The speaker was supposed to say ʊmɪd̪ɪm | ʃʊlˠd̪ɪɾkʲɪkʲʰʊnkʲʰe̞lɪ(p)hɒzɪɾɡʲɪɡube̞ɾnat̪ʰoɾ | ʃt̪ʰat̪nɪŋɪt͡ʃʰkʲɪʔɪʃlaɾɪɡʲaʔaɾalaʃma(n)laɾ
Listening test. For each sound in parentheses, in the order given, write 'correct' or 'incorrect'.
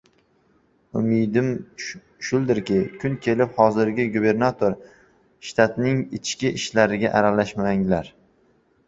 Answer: correct, incorrect

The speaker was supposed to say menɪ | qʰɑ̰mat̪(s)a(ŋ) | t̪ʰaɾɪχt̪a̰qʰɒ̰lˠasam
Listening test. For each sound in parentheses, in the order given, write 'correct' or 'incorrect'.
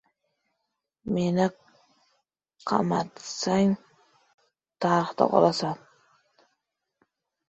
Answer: correct, correct

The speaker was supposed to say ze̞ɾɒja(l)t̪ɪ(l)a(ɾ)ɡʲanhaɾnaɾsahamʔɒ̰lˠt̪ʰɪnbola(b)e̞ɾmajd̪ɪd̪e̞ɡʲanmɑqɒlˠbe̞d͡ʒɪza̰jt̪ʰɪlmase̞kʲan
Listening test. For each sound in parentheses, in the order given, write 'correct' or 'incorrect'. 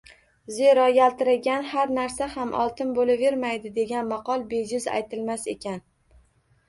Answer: correct, incorrect, incorrect, incorrect

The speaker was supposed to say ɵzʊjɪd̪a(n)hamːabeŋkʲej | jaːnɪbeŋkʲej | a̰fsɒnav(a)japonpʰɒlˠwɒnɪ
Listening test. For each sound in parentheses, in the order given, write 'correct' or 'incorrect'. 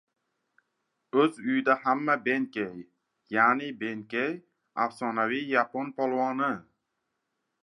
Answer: incorrect, incorrect

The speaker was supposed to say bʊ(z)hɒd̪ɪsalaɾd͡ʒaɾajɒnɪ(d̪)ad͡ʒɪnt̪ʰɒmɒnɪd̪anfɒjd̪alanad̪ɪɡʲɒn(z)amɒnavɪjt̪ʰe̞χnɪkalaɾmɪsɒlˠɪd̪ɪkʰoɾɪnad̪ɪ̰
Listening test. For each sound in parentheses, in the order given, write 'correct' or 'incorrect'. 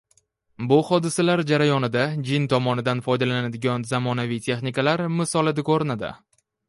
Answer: incorrect, correct, correct

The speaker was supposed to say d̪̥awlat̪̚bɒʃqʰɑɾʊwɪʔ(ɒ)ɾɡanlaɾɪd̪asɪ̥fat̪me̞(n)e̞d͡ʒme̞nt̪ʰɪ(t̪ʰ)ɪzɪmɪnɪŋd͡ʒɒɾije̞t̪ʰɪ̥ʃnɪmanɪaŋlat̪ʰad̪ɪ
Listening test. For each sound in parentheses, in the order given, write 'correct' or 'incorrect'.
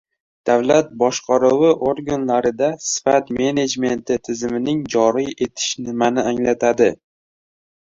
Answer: incorrect, correct, correct

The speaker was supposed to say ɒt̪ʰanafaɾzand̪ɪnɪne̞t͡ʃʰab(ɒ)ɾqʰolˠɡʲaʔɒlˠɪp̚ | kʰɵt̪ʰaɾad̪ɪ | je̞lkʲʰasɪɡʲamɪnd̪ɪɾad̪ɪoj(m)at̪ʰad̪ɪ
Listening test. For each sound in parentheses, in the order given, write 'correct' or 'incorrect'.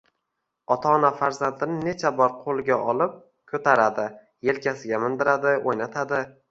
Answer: correct, incorrect

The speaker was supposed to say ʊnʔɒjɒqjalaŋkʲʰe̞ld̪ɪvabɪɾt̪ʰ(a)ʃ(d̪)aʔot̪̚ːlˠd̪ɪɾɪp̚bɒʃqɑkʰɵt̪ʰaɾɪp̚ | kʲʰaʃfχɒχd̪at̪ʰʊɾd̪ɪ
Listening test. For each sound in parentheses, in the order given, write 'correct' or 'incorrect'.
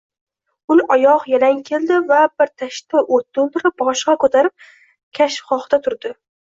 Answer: correct, incorrect

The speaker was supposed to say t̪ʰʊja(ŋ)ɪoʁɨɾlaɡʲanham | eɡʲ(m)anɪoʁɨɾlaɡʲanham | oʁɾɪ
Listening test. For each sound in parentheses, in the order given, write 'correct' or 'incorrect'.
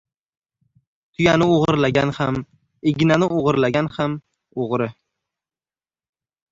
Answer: incorrect, incorrect

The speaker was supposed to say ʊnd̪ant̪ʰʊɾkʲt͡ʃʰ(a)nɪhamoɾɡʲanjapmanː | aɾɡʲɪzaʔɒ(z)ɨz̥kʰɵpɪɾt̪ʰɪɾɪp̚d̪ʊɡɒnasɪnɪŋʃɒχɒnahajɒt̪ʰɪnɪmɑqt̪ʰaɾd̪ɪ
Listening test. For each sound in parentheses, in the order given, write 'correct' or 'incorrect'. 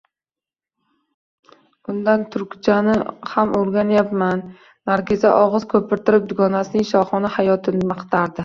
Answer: correct, incorrect

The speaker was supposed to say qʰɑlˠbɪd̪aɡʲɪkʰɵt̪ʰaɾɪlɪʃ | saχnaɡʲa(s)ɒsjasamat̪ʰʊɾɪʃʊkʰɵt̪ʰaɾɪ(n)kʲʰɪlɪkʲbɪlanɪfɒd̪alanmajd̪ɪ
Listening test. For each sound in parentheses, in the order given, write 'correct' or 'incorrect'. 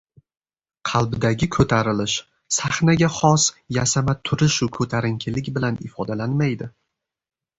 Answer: incorrect, incorrect

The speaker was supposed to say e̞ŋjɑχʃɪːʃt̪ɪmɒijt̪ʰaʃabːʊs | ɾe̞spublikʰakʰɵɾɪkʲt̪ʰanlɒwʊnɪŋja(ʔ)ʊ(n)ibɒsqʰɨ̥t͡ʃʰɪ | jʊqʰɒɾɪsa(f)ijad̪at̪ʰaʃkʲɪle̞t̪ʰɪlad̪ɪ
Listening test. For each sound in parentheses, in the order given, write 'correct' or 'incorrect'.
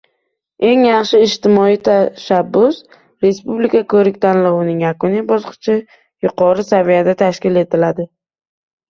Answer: incorrect, correct, incorrect

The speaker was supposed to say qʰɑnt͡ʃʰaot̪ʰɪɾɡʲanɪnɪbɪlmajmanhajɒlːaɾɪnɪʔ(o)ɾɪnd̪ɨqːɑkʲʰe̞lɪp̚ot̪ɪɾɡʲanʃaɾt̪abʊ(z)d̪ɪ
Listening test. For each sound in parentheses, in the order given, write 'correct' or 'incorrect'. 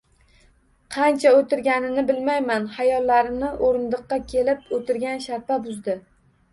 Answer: correct, correct

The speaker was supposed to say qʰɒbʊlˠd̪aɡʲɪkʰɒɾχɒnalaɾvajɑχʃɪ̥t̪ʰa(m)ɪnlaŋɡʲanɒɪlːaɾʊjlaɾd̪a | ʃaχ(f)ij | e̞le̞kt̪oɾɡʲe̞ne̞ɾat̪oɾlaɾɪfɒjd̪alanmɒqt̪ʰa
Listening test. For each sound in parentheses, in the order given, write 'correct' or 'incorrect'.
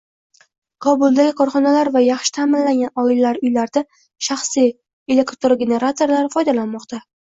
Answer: correct, incorrect

